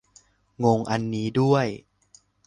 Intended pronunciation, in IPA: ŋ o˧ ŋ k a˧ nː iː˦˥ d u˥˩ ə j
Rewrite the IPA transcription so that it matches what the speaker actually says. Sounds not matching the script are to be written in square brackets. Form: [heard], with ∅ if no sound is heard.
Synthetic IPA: ŋ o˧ ŋ [ʔ] a˧ nː iː˦˥ d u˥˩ ə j